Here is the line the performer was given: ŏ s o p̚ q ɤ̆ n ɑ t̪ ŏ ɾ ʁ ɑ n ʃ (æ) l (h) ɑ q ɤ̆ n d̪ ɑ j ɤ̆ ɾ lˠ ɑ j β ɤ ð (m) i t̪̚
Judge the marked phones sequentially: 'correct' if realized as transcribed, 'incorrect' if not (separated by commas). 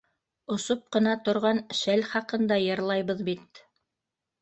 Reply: correct, incorrect, incorrect